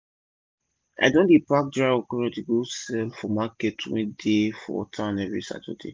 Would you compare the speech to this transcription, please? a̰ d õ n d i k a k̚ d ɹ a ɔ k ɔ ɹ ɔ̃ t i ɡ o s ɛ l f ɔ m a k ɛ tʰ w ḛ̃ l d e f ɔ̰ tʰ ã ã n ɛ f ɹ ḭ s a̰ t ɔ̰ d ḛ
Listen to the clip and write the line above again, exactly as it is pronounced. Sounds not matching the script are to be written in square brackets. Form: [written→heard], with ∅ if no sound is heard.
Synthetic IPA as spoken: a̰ d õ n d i [k→p] a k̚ d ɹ a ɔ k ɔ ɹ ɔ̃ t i ɡ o s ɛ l f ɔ m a k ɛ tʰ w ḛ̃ [l→∅] d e f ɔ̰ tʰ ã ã n ɛ [f→v] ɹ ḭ s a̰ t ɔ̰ d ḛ